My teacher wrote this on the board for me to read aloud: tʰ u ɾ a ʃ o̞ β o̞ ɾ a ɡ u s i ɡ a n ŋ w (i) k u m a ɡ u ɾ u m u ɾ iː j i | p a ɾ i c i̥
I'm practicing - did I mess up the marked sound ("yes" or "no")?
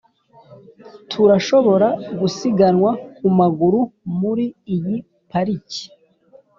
yes